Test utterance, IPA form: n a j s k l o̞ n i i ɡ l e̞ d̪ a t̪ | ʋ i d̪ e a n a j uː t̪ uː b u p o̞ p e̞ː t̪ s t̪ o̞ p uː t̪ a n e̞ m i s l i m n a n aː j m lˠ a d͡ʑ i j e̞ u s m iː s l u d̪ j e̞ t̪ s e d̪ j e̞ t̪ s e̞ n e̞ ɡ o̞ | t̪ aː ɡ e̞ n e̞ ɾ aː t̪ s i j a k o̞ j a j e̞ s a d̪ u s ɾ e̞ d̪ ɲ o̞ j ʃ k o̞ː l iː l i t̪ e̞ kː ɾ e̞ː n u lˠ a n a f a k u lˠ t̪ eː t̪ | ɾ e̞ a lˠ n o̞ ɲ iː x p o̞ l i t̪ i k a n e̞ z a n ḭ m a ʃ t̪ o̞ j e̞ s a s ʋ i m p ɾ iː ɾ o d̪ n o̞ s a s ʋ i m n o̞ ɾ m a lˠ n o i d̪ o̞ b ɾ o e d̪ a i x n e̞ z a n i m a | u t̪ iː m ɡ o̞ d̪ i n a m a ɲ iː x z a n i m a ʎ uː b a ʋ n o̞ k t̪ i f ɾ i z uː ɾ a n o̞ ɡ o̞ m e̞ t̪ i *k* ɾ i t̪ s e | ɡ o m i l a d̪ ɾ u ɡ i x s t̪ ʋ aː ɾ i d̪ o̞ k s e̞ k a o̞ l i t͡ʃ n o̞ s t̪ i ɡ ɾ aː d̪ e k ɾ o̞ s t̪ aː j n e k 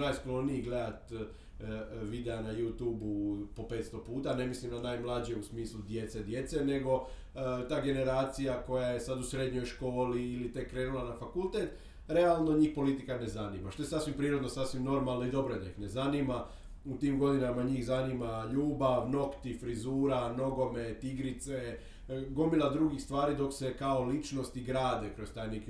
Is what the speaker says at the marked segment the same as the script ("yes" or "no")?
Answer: no